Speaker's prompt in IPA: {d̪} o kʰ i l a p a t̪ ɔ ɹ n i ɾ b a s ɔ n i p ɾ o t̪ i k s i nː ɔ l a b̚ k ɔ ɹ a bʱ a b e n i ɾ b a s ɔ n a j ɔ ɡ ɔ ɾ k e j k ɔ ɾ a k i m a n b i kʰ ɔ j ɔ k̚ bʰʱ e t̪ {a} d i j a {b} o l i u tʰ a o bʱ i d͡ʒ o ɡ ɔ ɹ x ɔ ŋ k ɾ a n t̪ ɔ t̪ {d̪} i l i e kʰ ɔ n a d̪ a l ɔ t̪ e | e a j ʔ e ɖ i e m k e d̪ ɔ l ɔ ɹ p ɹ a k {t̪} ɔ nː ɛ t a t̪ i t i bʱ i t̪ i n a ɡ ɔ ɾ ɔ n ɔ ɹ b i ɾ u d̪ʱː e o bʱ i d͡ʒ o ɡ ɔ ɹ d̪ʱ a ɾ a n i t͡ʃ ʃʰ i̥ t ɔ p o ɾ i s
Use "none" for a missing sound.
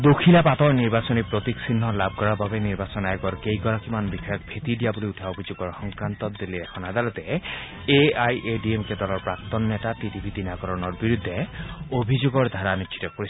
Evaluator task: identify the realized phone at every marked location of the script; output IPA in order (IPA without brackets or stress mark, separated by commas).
d̪, i, b, d̪, t̪